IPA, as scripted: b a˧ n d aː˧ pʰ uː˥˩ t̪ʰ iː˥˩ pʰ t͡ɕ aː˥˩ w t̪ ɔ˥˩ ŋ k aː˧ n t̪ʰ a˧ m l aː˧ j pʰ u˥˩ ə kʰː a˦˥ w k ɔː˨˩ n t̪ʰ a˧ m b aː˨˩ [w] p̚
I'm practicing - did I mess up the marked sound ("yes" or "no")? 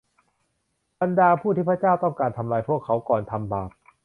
yes